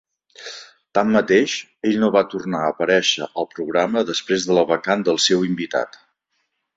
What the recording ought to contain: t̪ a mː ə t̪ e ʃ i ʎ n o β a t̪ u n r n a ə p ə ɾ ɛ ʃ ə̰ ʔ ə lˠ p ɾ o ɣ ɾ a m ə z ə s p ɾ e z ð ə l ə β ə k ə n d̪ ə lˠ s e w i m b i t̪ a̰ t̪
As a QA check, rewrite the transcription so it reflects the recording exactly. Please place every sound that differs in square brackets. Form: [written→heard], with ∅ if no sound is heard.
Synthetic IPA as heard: t̪ a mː ə t̪ e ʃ [i→e] ʎ n o β a t̪ u [n→∅] r n a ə p ə ɾ ɛ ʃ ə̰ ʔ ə lˠ p ɾ [o→u] ɣ ɾ a m ə [z→ð] ə s p ɾ e z ð ə l ə β ə k [ə→a] n d̪ ə lˠ s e w i m b i t̪ a̰ t̪